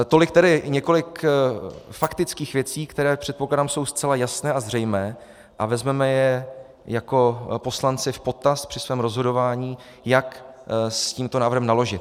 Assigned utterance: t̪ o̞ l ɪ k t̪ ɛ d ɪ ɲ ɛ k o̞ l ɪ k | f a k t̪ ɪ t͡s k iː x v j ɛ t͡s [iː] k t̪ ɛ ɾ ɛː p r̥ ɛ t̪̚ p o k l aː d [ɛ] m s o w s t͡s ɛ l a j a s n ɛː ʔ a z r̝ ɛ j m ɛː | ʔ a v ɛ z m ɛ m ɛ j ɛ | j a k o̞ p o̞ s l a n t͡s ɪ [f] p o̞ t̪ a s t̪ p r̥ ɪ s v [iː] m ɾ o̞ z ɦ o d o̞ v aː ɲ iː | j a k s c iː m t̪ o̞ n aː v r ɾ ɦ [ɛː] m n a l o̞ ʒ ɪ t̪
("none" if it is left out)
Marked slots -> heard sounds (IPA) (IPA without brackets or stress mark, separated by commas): iː, a, f, ɛː, ɛ